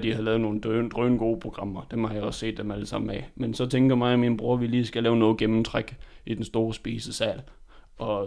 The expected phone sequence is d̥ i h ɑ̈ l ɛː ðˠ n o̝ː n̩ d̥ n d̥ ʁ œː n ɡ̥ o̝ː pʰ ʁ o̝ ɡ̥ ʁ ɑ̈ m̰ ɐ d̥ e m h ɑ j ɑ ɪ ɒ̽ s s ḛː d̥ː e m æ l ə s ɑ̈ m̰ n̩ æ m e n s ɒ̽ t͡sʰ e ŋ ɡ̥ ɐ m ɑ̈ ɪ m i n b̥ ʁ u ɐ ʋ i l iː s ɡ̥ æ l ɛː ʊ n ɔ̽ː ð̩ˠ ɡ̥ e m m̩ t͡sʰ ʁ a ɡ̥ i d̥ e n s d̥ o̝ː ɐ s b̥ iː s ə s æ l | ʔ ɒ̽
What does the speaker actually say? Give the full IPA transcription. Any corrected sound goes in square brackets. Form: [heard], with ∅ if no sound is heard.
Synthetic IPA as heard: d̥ i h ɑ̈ l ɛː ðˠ n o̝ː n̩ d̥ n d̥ ʁ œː n ɡ̥ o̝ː pʰ ʁ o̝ ɡ̥ ʁ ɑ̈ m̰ ɐ d̥ e m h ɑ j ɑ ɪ ɒ̽ s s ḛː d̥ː e m æ l ə s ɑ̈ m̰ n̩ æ m e n s ɒ̽ t͡sʰ e ŋ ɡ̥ ɐ m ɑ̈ ɪ m i n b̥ ʁ u ɐ ʋ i l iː s ɡ̥ æ l ɛː ʊ n ɔ̽ː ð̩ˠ ɡ̥ e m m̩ t͡sʰ ʁ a ɡ̥ i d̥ e n s d̥ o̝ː ɐ s b̥ iː s ə s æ l | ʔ ɒ̽